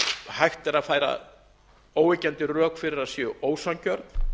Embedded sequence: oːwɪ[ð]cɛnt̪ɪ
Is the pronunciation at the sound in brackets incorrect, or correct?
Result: incorrect